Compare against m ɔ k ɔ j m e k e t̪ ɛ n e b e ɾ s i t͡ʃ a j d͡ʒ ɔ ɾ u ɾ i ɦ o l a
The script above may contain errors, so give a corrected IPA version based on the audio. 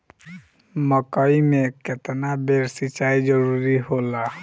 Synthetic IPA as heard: m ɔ k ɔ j m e k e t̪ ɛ n a b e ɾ s i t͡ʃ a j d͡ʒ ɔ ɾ u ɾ i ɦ o l a

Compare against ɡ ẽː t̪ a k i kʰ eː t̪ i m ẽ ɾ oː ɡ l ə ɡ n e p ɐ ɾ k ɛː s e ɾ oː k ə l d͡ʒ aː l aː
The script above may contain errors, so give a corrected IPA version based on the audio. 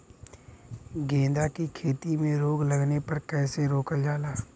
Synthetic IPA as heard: ɡ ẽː d̪ a k i kʰ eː t̪ i m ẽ ɾ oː ɡ l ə ɡ n e p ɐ ɾ k ɛː s e ɾ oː k ə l d͡ʒ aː l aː

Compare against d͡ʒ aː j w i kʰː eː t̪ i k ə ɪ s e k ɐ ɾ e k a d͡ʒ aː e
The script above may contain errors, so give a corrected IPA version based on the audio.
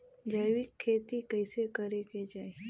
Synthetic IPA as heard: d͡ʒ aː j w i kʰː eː t̪ i k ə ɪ s e k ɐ ɾ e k e d͡ʒ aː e

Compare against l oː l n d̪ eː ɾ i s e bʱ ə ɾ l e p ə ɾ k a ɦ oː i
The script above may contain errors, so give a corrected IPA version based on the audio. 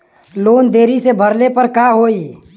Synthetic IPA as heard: l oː n d̪ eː ɾ i s e bʱ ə ɾ l e p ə ɾ k a ɦ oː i

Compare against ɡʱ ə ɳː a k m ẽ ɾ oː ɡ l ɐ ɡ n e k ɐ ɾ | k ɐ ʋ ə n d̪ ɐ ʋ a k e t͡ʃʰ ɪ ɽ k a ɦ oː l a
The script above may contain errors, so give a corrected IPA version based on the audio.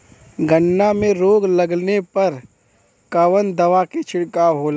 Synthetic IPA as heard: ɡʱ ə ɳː a m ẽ ɾ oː ɡ l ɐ ɡ n e p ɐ ɾ | k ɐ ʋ ə n d̪ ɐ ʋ a k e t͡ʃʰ ɪ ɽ k a ɦ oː l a

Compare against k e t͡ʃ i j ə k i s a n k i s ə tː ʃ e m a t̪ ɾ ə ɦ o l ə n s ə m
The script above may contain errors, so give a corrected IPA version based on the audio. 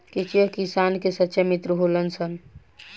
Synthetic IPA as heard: k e t͡ʃ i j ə k i s a n k e s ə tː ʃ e m i t̪ ɾ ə ɦ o l ə n s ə n

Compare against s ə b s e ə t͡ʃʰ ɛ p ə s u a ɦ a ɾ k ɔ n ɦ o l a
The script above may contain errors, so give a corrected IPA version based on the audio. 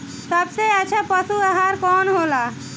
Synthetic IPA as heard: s ə b s e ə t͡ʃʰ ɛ p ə s u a ɦ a ɾ k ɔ n ɦ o l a

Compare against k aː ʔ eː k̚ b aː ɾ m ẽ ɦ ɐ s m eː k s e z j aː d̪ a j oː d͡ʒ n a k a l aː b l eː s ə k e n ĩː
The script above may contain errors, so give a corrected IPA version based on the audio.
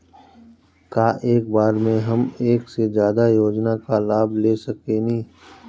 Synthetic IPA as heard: k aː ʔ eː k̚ b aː ɾ m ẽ ɦ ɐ m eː k s e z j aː d̪ a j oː d͡ʒ n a k a l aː b l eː s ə k e n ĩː

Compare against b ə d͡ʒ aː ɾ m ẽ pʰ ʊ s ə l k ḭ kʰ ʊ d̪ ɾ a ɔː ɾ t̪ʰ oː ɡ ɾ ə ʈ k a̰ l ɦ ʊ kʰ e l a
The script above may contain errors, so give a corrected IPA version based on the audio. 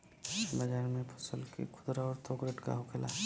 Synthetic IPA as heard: b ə d͡ʒ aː ɾ m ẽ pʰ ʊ s ə l k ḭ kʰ ʊ d̪ ɾ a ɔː ɾ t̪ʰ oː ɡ ɾ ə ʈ k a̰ ɦ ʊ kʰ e l a

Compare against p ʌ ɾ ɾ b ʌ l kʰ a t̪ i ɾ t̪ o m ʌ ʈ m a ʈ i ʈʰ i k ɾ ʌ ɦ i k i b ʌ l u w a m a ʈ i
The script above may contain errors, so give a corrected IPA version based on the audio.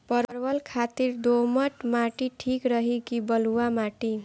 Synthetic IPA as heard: p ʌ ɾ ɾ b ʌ l kʰ a t̪ i ɾ d̪ o m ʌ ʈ m a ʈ i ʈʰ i k ɾ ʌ ɦ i k i b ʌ l u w a m a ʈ i

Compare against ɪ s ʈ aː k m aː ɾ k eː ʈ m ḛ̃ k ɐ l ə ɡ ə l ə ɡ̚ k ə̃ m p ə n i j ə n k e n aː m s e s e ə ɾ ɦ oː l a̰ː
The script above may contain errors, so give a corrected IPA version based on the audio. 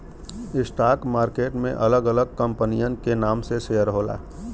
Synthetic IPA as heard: ɪ s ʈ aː k m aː ɾ k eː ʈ m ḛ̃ ʔ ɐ l ə ɡ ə l ə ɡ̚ k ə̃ m p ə n i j ə n k e n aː m s e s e ə ɾ ɦ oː l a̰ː

